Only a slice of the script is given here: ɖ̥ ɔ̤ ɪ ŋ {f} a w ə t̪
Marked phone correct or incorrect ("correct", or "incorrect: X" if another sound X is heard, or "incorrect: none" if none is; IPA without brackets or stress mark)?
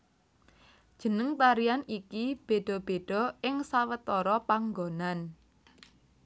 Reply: incorrect: s